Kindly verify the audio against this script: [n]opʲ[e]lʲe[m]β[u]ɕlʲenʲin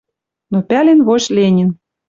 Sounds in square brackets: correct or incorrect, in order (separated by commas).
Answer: correct, incorrect, incorrect, incorrect